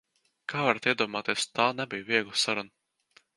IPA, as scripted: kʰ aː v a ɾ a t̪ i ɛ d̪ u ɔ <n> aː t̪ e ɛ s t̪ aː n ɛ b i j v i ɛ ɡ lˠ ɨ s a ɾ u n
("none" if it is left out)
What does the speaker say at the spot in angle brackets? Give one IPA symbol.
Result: m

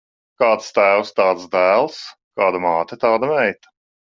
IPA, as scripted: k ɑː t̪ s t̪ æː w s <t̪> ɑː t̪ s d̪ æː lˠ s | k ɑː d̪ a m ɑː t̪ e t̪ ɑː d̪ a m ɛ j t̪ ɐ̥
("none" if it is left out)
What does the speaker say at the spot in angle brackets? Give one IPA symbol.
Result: t̪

